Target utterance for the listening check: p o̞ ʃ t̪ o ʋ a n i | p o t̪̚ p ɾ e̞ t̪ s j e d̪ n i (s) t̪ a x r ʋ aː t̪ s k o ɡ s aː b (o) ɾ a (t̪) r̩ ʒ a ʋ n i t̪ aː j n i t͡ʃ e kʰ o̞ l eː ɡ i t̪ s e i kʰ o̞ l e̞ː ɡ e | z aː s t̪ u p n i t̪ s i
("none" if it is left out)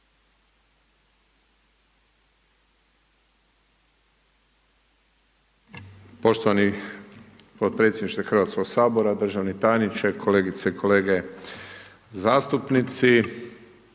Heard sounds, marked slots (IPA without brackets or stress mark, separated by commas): ʃ, o, d̪